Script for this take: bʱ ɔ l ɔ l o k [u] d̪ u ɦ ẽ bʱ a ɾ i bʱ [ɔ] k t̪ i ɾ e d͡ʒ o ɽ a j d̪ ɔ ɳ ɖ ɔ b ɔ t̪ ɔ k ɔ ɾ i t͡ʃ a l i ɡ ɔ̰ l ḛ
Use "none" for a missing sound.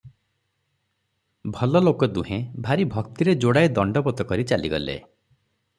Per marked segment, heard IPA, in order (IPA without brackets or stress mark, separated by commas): ɔ, ɔ